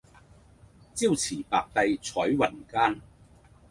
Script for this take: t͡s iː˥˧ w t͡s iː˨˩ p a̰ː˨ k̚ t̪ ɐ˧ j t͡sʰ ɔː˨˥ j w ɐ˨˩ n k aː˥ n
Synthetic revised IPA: t͡s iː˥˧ w t͡sʰ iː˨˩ p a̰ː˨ k̚ t̪ ɐ˧ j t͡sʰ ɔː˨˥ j w ɐ˨˩ n k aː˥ n